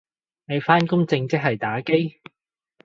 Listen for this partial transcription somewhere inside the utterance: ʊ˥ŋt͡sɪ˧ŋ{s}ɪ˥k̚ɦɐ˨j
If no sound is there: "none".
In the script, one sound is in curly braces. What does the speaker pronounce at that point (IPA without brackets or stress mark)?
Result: t͡s